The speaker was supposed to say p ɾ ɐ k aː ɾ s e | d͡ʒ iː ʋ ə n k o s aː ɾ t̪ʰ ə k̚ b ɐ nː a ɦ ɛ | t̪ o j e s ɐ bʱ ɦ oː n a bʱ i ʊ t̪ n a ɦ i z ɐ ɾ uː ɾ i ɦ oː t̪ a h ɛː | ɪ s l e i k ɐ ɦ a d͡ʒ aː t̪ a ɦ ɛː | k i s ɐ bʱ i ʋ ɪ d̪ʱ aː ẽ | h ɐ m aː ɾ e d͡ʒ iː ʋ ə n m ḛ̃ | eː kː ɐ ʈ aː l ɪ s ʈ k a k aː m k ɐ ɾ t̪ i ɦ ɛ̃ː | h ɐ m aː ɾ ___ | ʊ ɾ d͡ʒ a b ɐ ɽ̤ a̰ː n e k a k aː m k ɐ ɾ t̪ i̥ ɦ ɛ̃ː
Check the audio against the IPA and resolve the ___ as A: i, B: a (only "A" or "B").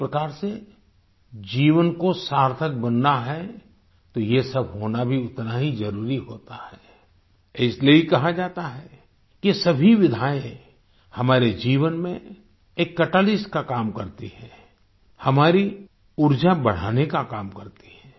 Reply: A